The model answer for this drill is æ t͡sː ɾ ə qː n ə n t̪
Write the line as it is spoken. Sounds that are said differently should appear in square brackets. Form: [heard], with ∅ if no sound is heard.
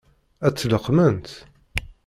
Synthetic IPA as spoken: æ t͡sː [l] ə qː [m] ə n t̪